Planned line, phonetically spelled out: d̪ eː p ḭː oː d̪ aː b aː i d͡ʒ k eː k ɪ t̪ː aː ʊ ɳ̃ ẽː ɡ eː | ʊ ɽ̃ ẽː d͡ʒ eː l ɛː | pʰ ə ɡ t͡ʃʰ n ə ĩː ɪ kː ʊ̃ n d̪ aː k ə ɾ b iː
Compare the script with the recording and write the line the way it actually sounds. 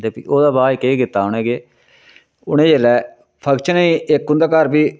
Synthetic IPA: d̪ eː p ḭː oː d̪ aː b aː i k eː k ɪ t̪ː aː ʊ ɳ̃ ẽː ɡ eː | ʊ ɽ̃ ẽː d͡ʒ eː l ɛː | pʰ ə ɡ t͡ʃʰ n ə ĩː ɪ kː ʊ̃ n d̪ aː k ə ɾ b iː